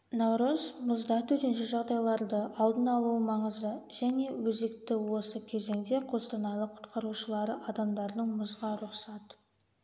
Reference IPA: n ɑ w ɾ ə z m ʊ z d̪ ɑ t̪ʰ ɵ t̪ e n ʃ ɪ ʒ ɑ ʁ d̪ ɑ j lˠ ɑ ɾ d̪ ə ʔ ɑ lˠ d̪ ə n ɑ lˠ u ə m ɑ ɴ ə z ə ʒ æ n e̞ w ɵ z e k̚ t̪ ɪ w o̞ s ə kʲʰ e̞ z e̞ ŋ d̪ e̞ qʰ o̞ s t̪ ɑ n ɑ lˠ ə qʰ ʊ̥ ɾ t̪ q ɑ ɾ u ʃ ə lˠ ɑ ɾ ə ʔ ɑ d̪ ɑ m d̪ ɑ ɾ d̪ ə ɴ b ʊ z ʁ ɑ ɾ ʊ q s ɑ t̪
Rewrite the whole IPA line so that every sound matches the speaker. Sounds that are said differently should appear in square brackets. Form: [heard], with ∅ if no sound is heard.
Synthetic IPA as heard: n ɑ w ɾ ə z m ʊ z d̪ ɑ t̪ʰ ɵ t̪ e n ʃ ɪ ʒ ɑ ʁ d̪ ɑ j lˠ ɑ ɾ d̪ ə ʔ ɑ lˠ d̪ ə n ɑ lˠ u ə m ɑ ɴ ə z ə ʒ æ n e̞ w ɵ z e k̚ t̪ ɪ w o̞ s ə kʲʰ e̞ z e̞ ŋ d̪ e̞ qʰ o̞ s t̪ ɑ n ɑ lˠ ə qʰ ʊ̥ [∅] t̪ q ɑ ɾ u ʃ ə lˠ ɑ ɾ ə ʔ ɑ d̪ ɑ m d̪ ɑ ɾ d̪ ə ɴ [m] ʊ z ʁ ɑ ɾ ʊ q s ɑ t̪

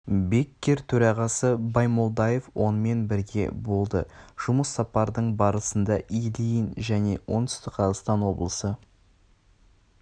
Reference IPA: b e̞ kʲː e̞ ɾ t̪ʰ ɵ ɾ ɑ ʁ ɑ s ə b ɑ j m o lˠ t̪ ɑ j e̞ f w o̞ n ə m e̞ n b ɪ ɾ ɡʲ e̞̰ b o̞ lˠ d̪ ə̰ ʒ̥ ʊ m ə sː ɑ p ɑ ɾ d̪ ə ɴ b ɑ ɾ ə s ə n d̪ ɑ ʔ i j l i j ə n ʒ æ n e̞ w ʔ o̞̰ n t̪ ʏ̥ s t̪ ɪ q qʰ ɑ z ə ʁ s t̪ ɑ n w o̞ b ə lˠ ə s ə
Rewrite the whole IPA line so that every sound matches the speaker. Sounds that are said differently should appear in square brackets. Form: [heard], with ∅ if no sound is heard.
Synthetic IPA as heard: b e̞ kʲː e̞ ɾ t̪ʰ ɵ ɾ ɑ ʁ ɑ s ə b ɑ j m o lˠ [d̪] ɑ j e̞ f w o̞ n ə m e̞ n b ɪ ɾ ɡʲ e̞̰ b o̞ lˠ d̪ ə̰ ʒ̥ ʊ m ə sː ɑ p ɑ ɾ d̪ ə ɴ b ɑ ɾ ə s ə n d̪ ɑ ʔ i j l i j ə n ʒ æ n e̞ w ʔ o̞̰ n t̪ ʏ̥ s t̪ ɪ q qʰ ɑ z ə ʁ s t̪ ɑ n w o̞ b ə lˠ ə s ə

